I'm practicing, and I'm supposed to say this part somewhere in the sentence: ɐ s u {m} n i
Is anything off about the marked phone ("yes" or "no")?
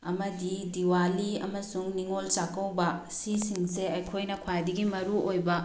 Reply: yes